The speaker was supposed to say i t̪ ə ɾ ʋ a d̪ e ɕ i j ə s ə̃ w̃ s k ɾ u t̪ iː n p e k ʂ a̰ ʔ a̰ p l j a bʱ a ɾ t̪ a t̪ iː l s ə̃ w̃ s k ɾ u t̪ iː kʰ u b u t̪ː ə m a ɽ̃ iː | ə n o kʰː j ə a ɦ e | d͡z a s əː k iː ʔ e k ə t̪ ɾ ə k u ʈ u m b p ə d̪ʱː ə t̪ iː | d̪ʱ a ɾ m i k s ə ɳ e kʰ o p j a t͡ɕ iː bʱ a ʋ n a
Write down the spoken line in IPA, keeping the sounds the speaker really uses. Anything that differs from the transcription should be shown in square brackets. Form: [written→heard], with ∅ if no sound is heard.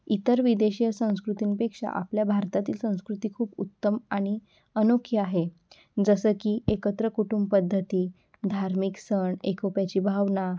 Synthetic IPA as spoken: i t̪ ə ɾ ʋ [a→i] d̪ e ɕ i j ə s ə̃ w̃ s k ɾ u t̪ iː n p e k ʂ a̰ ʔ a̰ p l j a bʱ a ɾ t̪ a t̪ iː l s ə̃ w̃ s k ɾ u t̪ iː kʰ [u→uː] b u t̪ː ə m a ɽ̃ [iː→i] | ə n o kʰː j ə a ɦ e | d͡z [a→ə] s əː k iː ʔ e k ə t̪ ɾ ə k u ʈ u m b p ə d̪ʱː ə t̪ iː | d̪ʱ a ɾ m i k s ə ɳ e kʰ o p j a t͡ɕ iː bʱ a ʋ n a